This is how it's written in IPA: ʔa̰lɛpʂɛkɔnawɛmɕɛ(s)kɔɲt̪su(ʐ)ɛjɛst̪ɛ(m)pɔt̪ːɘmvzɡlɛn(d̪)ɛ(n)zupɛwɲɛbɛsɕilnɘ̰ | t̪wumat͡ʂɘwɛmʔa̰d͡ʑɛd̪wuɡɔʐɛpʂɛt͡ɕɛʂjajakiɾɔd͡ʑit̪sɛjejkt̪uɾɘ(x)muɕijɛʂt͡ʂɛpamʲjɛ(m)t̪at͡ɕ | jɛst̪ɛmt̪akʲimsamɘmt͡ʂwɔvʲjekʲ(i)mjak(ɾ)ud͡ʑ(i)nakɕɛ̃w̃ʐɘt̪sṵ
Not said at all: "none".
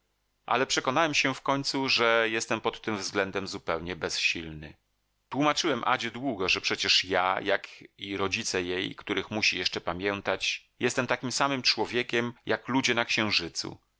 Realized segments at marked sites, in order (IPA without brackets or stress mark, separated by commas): f, ʐ, m, d̪, m, x, n, ɛ, l, ɛ